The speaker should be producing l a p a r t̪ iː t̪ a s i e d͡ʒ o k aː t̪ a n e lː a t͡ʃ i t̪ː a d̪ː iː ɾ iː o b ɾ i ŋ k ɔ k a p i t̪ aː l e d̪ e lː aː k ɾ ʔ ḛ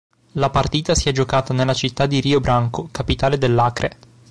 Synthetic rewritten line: l a p a r t̪ iː t̪ a s i ɛ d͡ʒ o k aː t̪ a n e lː a t͡ʃ i t̪ː a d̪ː i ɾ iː o b ɾ a ŋ k o k a p i t̪ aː l e d̪ e lː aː k ɾ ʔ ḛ